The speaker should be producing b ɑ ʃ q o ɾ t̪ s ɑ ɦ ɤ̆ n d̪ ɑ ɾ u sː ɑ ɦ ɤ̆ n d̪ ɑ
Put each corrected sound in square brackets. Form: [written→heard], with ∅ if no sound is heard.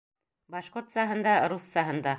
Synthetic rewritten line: b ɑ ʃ q o ɾ t̪ s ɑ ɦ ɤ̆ n d̪ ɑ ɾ u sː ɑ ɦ ɤ̆ n d̪ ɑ